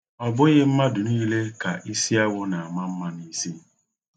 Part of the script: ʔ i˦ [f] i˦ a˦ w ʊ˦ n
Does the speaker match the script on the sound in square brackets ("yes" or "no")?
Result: no